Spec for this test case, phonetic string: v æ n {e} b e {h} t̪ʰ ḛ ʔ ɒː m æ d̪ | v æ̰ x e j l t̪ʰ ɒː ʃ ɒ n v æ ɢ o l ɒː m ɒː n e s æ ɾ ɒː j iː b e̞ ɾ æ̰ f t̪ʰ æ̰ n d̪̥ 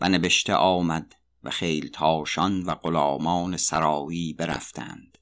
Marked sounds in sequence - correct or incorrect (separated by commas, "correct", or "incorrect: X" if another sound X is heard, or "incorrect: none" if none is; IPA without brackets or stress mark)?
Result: correct, incorrect: ʃ